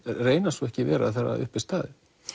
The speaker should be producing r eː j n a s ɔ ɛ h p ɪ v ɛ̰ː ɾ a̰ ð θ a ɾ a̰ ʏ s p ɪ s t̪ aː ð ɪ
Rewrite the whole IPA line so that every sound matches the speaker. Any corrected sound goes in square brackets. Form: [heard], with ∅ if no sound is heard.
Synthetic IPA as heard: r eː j n a s ɔ ɛ h [c] ɪ v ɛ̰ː ɾ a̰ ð θ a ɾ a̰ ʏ [h] p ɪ s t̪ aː ð ɪ